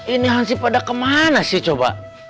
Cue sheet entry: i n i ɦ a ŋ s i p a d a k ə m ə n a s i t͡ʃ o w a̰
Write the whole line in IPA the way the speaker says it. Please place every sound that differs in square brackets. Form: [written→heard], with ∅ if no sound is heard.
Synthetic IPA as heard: i n i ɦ a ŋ s i p a d a k ə m [ə→a] n a s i t͡ʃ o [w→b] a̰

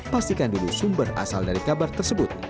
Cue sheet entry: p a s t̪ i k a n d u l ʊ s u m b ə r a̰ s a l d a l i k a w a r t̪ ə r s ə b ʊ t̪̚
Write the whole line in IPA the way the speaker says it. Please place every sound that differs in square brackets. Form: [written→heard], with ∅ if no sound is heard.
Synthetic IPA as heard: p a s t̪ i k a n d u l [ʊ→u] s u m b ə r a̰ s a l d a [l→ɾ] i k a [w→b] a r t̪ ə r s ə b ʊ t̪̚

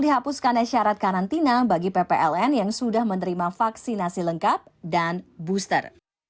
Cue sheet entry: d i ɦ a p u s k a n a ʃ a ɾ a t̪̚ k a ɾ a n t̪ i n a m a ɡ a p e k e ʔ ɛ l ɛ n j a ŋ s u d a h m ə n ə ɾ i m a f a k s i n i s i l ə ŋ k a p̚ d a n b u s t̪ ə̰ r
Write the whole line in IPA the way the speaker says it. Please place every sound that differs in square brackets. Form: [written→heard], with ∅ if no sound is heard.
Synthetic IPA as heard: d i ɦ a p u s k a n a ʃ a ɾ a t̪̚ k a ɾ a n t̪ i n a [m→b] a ɡ [a→i] p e [k→p] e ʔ ɛ l ɛ n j a ŋ s u d a h m ə n ə ɾ i m a f a k s i n [i→a] s i l ə ŋ k a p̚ d a n b u s t̪ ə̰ r

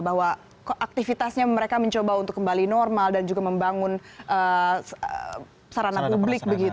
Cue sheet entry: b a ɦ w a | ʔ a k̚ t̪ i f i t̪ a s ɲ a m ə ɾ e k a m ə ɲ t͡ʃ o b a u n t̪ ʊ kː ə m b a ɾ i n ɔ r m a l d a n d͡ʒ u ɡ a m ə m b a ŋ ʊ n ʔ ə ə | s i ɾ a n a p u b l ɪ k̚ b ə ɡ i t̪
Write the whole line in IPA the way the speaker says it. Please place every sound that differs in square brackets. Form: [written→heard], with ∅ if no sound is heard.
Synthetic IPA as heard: b a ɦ w a | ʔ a k̚ t̪ i f i t̪ a s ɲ a m ə ɾ e k a m ə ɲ t͡ʃ o b a u n t̪ ʊ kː ə m b a [ɾ→l] i n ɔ r m a l d a n d͡ʒ u ɡ a m ə m b a ŋ ʊ n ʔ ə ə | s [i→a] ɾ a n a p u b l ɪ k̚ b ə ɡ i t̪

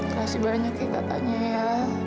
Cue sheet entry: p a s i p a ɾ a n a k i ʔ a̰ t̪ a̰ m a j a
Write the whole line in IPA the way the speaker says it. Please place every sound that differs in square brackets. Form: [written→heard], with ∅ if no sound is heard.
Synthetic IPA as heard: [p→k] a s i [p→b] a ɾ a [n→ɲ] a k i [ʔ→k] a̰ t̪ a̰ [m→ɲ] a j a

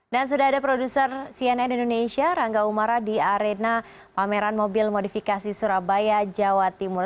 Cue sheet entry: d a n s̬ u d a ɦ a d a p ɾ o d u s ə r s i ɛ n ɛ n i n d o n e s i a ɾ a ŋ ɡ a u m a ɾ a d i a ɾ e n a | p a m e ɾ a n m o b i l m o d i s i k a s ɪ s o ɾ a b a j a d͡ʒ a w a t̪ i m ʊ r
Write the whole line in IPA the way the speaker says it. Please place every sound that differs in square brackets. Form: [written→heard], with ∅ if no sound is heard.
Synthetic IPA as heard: d a n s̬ u d a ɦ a d a p ɾ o d u s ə r s i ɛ n ɛ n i n d o n e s i a ɾ a ŋ ɡ a u m a ɾ a d i a ɾ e n a | p a m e ɾ a n m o b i l m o d i [s→f] i k a s [ɪ→i] s [o→u] ɾ a b a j a d͡ʒ a w a t̪ i m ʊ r

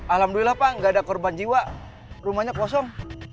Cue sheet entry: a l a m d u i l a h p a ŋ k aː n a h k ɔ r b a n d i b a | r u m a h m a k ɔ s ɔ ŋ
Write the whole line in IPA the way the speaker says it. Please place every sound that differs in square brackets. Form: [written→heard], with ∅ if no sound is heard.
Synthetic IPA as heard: a l a m d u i l a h p a ŋ [k→ɡ] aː [n→d] a [h→∅] k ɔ r b a n [d→d͡ʒ] i [b→w] a | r u m a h [m→ɲ] a k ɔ s ɔ ŋ

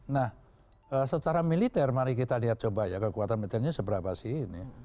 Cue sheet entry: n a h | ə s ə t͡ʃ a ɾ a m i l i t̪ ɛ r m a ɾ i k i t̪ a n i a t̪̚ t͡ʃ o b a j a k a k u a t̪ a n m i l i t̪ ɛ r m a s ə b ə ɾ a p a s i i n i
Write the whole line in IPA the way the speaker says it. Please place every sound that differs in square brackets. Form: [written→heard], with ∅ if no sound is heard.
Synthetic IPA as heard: n a h | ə s ə t͡ʃ a ɾ a m i l i t̪ ɛ r m a ɾ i k i t̪ a n i a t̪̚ t͡ʃ o b a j a k [a→ə] k u a t̪ a n m i l i t̪ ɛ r [m→ɲ] a s ə b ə ɾ a p a s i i n i

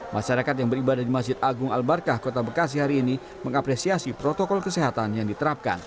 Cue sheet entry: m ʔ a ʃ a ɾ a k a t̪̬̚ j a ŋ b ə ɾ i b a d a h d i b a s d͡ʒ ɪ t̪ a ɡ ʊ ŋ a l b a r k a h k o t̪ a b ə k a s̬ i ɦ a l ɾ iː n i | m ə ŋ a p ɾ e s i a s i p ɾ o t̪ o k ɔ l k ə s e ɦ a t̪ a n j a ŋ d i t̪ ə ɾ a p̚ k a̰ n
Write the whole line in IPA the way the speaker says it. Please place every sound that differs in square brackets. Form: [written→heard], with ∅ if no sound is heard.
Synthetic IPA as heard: m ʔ a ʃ a ɾ a k a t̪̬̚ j a ŋ b ə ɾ i b a d a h d i [b→m] a s d͡ʒ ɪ t̪ a ɡ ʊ ŋ a l b a r k a h k o t̪ a b ə k a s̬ i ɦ a [l→∅] ɾ iː n i | m ə ŋ a p ɾ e s i a s i p ɾ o t̪ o k ɔ l k ə s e ɦ a t̪ a n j a ŋ d i t̪ ə ɾ a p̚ k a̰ n

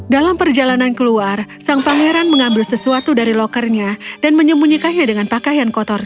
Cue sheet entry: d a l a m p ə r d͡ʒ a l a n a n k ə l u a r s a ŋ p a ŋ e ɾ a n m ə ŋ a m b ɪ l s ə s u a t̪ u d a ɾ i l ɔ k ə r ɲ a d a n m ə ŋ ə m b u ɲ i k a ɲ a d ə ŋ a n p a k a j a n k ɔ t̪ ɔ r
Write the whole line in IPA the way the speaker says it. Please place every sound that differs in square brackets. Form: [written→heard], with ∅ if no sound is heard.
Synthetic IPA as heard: d a l a m p ə r d͡ʒ a l a n a n k ə l u a r s a ŋ p a ŋ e ɾ a n m ə ŋ a m b ɪ l s ə s u a t̪ u d a ɾ i l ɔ k ə r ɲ a d a n m ə [ŋ→ɲ] ə m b u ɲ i k a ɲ a d ə ŋ a n p a k a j a n k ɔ t̪ ɔ r

